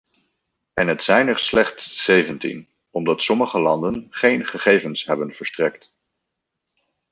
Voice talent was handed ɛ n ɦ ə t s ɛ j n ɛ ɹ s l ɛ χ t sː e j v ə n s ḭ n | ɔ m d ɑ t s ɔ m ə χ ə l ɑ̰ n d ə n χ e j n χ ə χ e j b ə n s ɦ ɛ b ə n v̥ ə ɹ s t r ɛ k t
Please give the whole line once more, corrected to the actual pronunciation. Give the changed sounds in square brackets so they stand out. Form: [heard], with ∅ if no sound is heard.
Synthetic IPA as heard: ɛ n ɦ ə t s ɛ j n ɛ ɹ s l ɛ χ t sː e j v ə n [t] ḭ n | ɔ m d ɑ t s ɔ m ə χ ə l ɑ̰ n d ə n χ e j n χ ə χ e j [v] ə n s ɦ ɛ b ə n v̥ ə ɹ s t r ɛ k t